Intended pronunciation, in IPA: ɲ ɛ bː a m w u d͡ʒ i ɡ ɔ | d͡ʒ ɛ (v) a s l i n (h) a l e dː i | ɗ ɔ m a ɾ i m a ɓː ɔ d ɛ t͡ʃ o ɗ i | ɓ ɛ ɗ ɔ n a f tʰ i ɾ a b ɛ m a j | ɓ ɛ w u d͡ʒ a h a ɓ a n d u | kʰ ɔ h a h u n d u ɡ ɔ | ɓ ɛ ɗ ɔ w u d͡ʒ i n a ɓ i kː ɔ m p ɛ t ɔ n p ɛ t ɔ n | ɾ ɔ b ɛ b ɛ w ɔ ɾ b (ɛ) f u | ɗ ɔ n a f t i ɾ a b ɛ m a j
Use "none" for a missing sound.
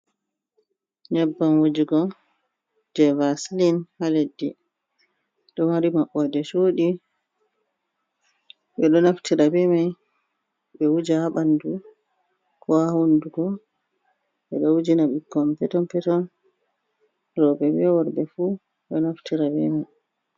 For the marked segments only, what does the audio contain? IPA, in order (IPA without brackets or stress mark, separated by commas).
v, h, ɛ